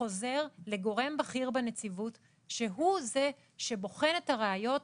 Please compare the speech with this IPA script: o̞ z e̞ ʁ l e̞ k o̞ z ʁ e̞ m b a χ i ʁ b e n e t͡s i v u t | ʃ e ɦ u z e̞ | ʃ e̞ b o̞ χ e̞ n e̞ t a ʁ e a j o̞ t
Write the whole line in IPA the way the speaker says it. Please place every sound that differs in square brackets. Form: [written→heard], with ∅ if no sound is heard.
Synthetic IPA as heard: o̞ z e̞ ʁ l e̞ [k→ɡ] o̞ [z→∅] ʁ e̞ m b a χ i ʁ b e n e t͡s i v u t | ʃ e ɦ u z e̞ | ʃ e̞ b o̞ χ e̞ n e̞ t a ʁ e a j o̞ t